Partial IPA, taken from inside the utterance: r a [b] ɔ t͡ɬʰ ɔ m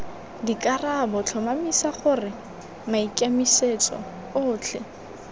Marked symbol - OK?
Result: yes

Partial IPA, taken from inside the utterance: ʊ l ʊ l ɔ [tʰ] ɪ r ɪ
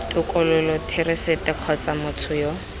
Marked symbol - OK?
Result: yes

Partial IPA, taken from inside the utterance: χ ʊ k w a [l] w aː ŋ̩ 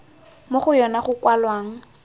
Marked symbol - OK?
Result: yes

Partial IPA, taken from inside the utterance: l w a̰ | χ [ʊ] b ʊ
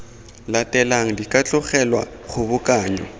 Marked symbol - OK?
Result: yes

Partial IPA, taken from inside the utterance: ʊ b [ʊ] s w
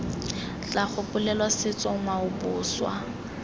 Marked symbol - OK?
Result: no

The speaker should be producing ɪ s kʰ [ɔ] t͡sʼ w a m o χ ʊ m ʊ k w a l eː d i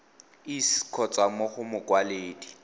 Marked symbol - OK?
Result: yes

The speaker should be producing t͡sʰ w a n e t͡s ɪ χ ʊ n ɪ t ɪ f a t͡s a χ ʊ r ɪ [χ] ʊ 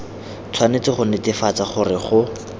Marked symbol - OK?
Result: yes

